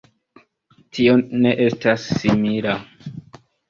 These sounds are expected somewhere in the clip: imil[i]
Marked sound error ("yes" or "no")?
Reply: yes